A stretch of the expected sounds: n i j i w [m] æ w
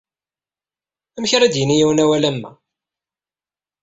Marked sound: incorrect: n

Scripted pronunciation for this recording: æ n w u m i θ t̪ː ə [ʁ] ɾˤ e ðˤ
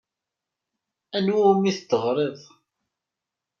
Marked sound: correct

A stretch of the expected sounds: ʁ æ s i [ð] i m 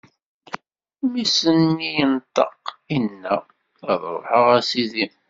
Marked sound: correct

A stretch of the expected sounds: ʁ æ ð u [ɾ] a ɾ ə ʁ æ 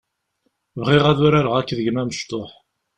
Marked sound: correct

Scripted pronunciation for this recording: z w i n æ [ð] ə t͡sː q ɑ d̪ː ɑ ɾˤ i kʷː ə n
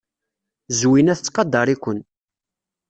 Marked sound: incorrect: θ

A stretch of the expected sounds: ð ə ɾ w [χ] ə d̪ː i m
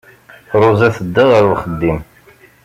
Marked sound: correct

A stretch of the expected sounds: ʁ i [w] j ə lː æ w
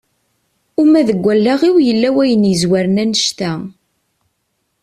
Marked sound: correct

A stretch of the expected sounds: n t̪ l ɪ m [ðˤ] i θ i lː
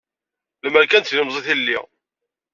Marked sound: incorrect: zˤ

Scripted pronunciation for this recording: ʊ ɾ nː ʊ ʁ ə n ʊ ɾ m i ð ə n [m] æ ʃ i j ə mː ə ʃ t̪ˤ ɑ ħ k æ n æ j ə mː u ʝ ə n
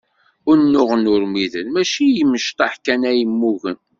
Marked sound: correct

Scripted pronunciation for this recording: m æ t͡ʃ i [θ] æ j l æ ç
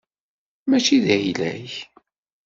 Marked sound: incorrect: ð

